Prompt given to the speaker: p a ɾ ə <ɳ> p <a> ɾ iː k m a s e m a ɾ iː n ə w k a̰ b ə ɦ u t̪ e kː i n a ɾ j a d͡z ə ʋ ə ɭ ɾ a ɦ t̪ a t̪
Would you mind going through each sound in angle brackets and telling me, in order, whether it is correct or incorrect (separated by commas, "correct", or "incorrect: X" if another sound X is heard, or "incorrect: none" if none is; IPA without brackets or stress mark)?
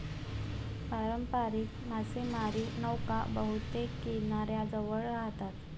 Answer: incorrect: m, correct